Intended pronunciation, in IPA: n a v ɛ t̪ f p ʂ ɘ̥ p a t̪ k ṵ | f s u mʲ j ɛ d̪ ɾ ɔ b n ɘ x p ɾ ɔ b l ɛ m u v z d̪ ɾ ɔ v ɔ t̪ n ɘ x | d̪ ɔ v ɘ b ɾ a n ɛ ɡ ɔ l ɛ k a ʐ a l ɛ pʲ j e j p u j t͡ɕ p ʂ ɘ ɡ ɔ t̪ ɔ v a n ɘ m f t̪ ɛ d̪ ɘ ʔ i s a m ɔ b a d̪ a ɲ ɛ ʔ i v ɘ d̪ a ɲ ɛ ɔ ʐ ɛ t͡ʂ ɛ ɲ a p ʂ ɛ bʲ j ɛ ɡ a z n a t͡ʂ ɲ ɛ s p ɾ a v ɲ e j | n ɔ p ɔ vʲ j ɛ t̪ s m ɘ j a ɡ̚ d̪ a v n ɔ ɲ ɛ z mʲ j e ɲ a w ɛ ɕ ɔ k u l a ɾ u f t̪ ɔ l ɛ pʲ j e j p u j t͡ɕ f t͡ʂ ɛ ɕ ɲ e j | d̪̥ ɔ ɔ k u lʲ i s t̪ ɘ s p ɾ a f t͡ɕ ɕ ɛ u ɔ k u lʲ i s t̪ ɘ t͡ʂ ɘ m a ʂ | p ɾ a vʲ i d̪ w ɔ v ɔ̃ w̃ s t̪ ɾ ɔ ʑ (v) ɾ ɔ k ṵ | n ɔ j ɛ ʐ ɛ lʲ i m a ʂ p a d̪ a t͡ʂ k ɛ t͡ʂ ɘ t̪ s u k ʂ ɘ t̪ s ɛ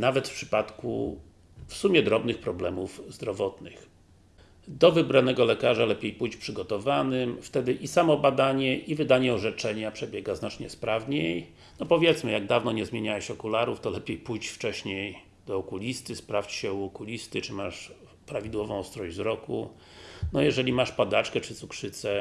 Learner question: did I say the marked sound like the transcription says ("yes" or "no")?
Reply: no